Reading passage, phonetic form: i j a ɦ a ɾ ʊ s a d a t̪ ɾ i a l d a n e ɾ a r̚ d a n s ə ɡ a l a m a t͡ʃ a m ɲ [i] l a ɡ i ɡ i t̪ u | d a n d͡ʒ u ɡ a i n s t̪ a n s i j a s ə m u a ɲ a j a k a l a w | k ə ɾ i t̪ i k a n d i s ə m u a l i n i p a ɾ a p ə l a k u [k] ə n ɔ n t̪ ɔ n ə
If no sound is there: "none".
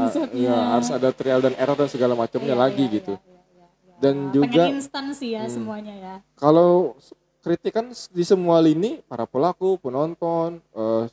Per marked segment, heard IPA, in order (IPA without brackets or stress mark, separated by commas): a, p